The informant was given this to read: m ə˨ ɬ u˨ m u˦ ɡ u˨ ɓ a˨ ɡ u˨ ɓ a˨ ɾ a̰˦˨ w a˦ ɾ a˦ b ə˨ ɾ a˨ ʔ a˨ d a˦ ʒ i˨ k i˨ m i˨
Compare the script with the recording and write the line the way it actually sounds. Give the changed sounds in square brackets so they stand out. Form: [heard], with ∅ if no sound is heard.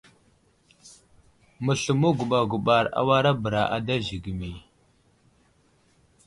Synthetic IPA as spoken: m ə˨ ɬ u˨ m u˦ ɡ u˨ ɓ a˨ ɡ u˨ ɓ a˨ ɾ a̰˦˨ w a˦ ɾ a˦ b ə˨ ɾ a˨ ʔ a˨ d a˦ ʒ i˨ [ɡ] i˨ m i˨